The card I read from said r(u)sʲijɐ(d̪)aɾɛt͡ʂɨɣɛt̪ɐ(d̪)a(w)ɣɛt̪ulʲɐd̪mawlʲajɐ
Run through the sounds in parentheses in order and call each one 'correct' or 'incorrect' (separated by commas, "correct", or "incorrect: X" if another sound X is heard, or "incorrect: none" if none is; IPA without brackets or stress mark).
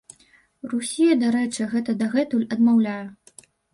correct, correct, correct, incorrect: none